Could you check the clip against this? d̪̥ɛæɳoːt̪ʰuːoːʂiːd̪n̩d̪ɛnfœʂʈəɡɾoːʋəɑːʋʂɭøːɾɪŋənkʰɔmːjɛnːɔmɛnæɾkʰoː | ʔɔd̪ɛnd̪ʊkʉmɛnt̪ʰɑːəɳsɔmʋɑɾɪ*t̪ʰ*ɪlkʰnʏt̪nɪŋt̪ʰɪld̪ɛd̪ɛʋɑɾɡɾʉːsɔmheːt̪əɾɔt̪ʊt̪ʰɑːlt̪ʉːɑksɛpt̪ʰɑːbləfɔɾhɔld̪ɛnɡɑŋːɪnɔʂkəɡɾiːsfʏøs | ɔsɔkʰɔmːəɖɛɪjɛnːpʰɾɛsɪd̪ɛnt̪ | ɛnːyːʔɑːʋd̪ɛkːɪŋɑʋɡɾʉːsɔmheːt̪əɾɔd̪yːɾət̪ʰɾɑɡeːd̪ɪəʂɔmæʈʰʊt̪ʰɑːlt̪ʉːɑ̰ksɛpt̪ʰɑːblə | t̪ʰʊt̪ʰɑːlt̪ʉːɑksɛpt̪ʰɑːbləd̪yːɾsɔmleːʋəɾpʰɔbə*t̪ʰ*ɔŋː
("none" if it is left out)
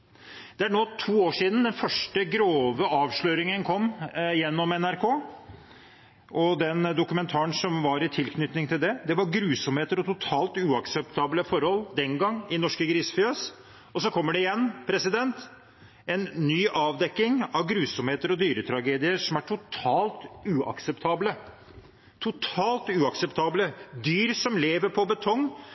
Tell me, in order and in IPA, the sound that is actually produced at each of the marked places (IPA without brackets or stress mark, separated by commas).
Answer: t̪ʰ, t̪ʰ